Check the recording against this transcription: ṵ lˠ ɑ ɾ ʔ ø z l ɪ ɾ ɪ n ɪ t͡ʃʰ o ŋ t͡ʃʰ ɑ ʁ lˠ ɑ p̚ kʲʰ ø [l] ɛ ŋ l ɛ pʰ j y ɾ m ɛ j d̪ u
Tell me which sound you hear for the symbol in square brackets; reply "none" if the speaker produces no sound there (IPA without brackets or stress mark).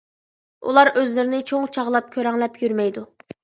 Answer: ɾ